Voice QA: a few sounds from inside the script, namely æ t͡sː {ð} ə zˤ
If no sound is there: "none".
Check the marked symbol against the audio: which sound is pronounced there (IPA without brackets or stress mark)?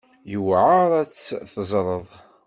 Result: θ